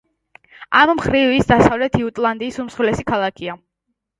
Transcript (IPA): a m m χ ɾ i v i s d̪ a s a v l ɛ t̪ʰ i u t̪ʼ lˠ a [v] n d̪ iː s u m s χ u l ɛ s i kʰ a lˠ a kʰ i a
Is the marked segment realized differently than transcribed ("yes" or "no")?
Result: yes